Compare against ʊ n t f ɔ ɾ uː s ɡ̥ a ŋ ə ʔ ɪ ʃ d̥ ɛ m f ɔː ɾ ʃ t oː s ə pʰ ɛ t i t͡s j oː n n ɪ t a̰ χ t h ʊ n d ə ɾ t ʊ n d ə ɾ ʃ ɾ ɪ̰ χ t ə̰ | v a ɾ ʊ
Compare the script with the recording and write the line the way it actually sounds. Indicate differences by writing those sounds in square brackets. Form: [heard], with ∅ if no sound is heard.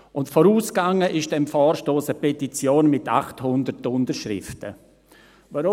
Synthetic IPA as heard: ʊ n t f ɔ ɾ uː s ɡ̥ a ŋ ə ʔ ɪ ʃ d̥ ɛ m f ɔː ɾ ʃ t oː s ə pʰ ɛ t i t͡s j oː n [m] ɪ t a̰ χ t h ʊ n d ə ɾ t ʊ n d ə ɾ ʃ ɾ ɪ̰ [f] t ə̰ | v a ɾ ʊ